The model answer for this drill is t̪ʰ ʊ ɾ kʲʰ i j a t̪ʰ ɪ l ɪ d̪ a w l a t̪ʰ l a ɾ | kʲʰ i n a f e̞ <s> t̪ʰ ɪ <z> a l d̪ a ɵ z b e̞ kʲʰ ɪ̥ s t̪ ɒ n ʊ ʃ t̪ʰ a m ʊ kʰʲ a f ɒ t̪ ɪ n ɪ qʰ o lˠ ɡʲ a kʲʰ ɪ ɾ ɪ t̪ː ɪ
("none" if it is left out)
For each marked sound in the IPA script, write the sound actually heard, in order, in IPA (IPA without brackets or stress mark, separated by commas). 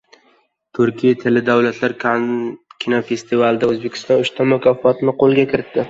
s, v